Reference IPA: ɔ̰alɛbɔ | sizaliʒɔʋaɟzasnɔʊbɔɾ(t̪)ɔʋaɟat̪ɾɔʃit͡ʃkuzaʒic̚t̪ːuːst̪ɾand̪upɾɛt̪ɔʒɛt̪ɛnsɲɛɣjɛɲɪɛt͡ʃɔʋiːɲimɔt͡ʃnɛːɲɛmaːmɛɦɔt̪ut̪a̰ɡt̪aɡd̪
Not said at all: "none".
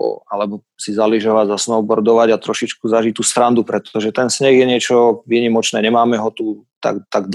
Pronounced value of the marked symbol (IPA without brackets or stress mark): d̪